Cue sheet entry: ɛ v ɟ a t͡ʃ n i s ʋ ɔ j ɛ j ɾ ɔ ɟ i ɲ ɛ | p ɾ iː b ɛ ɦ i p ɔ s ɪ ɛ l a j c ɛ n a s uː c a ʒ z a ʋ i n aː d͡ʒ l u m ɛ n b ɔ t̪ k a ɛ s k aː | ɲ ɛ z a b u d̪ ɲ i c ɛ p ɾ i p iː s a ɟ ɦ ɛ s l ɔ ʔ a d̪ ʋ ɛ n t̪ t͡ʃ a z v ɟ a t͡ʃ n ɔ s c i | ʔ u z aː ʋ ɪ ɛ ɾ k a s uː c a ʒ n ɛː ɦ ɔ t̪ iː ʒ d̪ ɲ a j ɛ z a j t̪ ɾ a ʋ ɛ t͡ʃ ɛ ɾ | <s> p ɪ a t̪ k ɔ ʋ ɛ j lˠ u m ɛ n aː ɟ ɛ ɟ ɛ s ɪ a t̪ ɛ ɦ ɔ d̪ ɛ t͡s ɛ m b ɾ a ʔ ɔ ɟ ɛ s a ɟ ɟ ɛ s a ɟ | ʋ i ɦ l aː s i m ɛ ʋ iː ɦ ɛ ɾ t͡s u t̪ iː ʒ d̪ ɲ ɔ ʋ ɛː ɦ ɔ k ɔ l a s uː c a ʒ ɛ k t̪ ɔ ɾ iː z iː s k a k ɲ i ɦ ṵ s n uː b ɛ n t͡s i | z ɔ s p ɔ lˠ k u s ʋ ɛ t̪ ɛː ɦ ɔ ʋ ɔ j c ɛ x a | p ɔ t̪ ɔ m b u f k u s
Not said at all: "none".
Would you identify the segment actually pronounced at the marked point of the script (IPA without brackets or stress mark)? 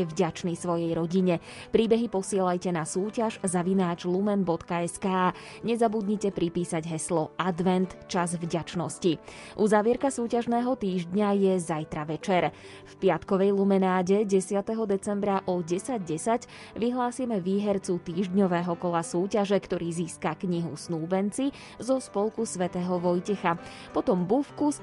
f